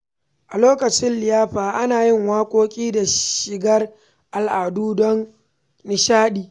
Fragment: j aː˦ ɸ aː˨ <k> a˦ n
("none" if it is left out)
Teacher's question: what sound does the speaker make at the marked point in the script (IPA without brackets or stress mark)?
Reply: ʔ